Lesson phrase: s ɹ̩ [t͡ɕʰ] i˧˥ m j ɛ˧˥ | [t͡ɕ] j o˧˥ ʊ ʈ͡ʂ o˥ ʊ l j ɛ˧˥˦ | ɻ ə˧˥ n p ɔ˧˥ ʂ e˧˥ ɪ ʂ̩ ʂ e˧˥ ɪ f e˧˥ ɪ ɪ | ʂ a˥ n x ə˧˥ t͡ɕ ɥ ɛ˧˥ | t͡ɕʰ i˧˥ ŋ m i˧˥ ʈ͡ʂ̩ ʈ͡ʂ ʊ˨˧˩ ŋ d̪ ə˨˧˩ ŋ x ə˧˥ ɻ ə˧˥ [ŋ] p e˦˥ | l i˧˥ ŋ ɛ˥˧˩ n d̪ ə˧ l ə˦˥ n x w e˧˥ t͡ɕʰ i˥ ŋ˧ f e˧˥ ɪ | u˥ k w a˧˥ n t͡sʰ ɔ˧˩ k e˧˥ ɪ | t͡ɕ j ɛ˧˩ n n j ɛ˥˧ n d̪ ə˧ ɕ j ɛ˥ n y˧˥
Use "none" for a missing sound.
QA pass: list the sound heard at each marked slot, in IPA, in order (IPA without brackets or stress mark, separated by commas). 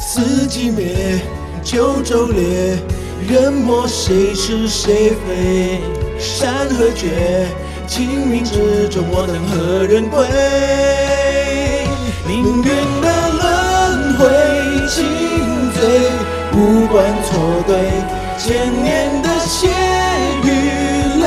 t͡ɕ, t͡ɕ, n